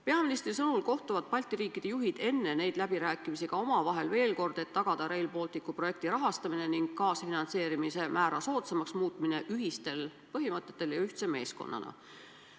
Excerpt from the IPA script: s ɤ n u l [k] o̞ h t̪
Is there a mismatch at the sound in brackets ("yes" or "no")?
no